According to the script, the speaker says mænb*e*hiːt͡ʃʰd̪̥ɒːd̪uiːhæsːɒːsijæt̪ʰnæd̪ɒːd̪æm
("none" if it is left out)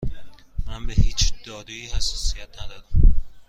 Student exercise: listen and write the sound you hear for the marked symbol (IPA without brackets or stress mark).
e